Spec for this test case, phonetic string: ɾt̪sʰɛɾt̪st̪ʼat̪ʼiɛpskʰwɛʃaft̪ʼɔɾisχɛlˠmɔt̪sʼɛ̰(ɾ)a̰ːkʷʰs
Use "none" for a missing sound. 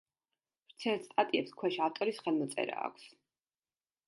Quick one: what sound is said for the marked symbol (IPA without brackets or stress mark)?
ɾ